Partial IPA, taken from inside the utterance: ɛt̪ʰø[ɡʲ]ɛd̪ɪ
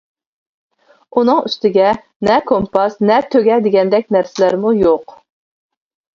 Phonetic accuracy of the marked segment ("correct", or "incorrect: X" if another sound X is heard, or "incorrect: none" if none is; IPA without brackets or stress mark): correct